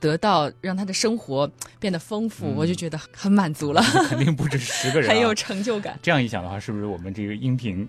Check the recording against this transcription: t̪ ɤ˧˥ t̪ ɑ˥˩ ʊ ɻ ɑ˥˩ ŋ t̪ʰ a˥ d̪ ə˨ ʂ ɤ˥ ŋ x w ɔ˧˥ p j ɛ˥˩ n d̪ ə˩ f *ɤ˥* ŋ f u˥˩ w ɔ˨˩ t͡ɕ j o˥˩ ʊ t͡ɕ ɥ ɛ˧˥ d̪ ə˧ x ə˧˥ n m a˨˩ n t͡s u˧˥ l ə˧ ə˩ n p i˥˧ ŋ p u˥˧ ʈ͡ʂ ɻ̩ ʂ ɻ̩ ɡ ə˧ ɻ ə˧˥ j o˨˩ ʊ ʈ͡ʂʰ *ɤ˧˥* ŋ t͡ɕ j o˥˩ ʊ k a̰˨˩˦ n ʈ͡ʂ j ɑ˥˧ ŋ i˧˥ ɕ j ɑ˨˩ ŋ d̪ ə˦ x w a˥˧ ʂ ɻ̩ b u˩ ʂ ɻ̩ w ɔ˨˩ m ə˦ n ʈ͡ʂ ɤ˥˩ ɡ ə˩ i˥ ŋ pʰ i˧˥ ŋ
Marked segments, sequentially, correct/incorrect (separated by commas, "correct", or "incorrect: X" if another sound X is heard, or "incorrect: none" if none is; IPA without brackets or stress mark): correct, correct